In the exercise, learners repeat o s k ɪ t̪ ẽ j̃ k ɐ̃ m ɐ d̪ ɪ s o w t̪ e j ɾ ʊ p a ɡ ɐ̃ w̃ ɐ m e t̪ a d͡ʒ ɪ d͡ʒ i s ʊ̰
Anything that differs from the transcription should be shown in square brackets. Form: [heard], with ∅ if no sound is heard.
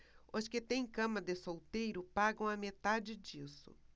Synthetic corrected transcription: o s k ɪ t̪ ẽ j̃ k ɐ̃ m ɐ d̪ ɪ s o w t̪ e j ɾ ʊ p a ɡ ɐ̃ w̃ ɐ m e t̪ a d͡ʒ ɪ d͡ʒ i s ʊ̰